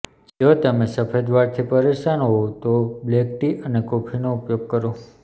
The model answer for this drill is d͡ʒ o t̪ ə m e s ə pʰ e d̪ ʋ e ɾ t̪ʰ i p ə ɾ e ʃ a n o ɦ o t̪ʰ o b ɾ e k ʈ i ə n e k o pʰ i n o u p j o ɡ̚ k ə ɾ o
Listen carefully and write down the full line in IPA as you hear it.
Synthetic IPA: d͡ʒ o t̪ ə m e s ə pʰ e d̪ ʋ a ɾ t̪ʰ i p ə ɾ e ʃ a n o ɦ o t̪ o b l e k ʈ i ə n e k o pʰ i n o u p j o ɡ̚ k ə ɾ o